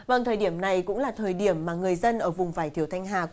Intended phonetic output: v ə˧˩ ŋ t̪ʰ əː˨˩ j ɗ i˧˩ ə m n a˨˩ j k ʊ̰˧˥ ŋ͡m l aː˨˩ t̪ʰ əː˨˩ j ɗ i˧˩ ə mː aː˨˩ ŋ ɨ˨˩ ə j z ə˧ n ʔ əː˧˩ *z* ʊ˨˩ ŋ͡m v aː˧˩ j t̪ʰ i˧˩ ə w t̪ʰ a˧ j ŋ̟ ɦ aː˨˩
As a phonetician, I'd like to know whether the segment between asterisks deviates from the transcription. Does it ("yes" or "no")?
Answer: yes